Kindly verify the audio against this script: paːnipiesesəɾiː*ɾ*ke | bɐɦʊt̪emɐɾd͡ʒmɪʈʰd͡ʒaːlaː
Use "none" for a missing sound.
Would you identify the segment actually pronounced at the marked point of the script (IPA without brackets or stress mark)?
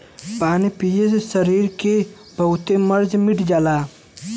ɾ